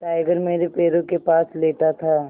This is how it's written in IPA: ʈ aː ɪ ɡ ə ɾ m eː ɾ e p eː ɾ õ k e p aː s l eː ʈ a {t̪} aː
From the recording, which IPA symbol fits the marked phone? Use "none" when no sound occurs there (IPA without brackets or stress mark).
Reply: t̪ʰ